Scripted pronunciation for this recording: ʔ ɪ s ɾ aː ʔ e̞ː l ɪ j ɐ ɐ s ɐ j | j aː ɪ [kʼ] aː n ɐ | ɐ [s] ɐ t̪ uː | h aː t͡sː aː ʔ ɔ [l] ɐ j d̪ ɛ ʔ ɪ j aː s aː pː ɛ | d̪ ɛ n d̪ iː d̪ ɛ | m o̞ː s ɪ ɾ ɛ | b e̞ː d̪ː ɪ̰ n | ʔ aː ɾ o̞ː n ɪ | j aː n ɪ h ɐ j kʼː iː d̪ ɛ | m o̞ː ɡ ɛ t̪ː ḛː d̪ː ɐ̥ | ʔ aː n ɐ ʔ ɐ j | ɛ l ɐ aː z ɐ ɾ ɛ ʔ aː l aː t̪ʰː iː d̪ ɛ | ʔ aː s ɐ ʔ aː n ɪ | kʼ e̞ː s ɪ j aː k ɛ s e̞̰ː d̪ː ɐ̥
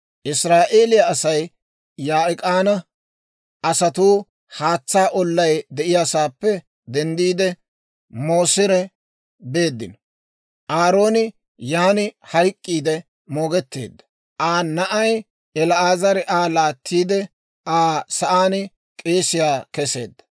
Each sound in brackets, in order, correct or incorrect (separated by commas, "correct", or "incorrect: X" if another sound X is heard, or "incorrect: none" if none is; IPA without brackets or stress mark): correct, correct, incorrect: lː